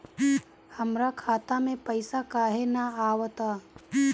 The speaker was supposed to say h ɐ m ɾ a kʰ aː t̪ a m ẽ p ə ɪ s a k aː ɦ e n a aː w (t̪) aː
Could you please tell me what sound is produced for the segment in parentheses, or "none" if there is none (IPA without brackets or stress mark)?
t̪